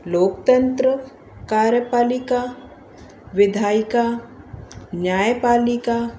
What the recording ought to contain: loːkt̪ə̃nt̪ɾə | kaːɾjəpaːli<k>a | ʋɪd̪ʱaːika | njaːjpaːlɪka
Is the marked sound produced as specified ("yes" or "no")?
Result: yes